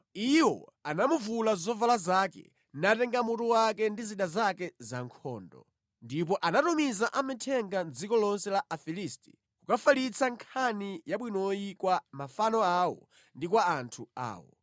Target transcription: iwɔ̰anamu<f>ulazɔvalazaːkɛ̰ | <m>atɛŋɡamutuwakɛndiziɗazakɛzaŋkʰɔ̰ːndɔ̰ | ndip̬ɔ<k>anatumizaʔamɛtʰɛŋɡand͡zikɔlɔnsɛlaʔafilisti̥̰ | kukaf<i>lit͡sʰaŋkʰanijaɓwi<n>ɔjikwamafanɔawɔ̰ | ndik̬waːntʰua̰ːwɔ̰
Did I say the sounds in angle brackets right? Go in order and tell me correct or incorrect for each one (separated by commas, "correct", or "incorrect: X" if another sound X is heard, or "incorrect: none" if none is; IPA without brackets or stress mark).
incorrect: v, incorrect: n, incorrect: ʔ, incorrect: a, correct